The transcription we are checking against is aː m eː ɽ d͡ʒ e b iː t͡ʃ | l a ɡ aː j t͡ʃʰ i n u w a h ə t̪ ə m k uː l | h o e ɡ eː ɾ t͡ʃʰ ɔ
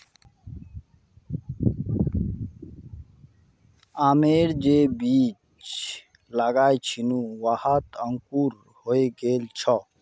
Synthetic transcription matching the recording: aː m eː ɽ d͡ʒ e b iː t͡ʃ | l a ɡ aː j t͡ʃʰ i n u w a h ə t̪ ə ŋ k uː ɾ | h o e ɡ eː l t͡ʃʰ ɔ